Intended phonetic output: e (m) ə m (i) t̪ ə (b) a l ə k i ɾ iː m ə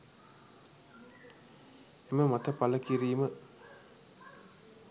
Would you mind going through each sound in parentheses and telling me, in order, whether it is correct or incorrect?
correct, incorrect, incorrect

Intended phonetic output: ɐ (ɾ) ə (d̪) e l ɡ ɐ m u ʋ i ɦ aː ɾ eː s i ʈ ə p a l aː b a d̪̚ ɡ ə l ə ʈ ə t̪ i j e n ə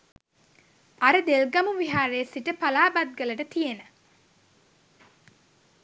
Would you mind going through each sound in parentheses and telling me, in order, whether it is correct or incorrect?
correct, correct

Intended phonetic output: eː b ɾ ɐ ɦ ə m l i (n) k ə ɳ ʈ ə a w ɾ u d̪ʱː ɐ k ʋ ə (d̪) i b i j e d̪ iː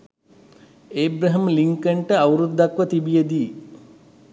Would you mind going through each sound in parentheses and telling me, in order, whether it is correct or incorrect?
incorrect, incorrect

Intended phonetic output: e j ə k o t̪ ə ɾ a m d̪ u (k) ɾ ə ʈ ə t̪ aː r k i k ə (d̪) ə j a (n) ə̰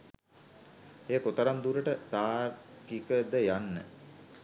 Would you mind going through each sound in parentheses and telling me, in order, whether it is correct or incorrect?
incorrect, correct, incorrect

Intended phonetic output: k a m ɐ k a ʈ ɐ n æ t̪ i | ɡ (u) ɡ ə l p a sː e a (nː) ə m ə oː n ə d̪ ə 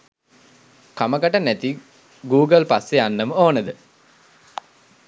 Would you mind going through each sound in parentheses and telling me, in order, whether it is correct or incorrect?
incorrect, correct

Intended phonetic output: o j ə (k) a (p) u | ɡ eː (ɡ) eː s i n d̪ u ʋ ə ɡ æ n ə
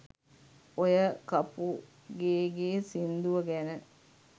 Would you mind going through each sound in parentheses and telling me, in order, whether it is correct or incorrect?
correct, correct, correct

